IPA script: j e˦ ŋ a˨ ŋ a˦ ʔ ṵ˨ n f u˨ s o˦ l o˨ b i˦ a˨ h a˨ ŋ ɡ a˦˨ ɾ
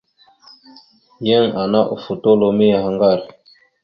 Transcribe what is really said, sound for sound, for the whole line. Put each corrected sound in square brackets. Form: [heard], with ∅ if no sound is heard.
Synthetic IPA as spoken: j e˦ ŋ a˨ [n] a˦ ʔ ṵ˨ [∅] f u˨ [t] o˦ l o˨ [m] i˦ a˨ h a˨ ŋ ɡ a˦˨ ɾ